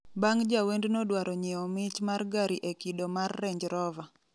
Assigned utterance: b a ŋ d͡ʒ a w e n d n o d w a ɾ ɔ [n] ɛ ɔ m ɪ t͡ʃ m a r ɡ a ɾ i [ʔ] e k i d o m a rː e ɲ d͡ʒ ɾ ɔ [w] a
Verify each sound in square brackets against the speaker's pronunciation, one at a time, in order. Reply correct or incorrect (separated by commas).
incorrect, correct, incorrect